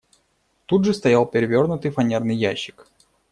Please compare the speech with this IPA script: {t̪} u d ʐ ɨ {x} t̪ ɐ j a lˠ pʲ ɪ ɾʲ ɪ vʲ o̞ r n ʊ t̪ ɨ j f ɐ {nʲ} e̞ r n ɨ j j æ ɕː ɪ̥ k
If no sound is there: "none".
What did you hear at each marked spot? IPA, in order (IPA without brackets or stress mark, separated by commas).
t̪, s, nʲ